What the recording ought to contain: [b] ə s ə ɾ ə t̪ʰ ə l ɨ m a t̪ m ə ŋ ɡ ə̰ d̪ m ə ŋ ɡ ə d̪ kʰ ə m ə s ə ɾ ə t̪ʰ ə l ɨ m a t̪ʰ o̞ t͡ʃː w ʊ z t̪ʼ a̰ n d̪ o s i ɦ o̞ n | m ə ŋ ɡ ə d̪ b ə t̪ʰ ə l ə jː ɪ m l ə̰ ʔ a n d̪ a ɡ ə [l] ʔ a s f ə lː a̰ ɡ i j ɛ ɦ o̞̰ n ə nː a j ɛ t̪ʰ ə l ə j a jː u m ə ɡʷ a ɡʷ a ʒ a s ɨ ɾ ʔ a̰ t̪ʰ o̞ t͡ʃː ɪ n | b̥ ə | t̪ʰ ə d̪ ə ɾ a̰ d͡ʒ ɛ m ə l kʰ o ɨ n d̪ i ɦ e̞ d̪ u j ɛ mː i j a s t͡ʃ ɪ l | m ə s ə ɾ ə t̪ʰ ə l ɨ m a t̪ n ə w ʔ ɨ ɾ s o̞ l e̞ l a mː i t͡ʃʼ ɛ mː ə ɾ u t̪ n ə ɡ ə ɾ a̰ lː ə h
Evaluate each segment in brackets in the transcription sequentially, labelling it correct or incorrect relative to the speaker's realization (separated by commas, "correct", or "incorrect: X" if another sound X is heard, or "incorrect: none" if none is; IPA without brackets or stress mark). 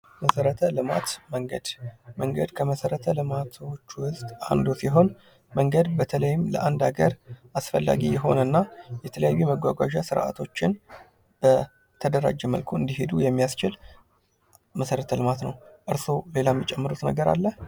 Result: incorrect: m, incorrect: ɾ